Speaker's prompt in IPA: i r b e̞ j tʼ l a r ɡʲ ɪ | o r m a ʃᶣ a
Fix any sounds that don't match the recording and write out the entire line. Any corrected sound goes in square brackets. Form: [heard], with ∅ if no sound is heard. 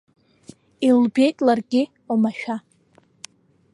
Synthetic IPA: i [l] b e̞ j tʼ l a r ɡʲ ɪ | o [∅] m a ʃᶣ a